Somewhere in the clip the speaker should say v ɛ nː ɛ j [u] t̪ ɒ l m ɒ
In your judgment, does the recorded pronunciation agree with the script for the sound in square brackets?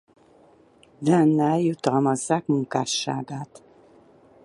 yes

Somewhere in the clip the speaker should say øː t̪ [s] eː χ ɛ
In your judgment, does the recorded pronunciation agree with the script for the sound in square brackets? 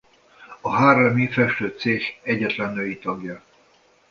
yes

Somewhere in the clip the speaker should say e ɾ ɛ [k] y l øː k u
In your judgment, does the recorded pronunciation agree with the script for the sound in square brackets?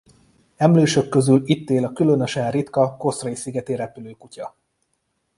no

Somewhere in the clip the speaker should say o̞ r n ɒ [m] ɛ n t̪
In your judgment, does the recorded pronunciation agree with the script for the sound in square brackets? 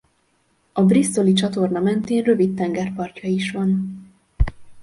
yes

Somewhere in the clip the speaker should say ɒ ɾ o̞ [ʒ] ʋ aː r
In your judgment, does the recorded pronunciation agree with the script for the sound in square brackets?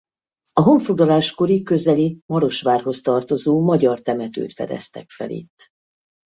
no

